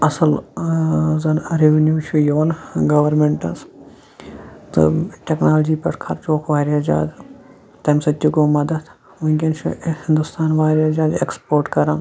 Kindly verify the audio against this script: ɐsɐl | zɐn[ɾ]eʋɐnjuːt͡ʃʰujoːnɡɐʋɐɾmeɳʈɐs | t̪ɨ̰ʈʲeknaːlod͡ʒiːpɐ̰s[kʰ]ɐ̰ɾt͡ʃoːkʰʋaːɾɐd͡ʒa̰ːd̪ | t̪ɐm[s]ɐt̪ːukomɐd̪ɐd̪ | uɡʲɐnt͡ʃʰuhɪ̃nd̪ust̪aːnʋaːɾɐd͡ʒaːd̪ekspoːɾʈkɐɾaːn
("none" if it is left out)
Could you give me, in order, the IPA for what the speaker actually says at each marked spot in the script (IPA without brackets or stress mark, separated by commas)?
ɾ, kʰ, s